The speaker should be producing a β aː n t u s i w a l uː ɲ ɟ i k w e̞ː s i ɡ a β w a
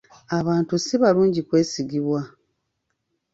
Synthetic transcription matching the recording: a β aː n t u s i β a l uː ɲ ɟ i k w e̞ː s i ɡ i β w a